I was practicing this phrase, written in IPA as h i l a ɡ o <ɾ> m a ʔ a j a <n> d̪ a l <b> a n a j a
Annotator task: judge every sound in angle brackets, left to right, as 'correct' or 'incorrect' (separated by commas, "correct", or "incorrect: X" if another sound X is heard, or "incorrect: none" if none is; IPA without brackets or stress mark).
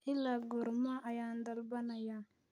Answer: correct, correct, correct